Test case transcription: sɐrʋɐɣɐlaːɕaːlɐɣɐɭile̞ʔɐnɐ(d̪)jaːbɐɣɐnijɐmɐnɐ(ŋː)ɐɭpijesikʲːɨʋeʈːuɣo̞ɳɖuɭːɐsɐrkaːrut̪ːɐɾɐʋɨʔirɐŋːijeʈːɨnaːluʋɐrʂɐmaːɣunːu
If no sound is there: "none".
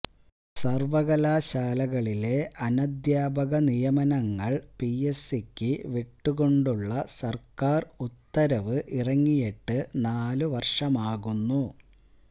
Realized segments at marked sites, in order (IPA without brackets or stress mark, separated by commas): d̪, ŋː